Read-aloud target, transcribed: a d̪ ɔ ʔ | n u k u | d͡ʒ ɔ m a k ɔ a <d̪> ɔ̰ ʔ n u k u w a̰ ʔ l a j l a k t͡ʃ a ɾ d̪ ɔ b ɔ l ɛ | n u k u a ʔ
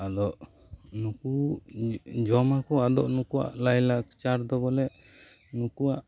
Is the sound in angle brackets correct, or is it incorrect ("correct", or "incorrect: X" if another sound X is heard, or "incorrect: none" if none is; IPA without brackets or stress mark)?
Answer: correct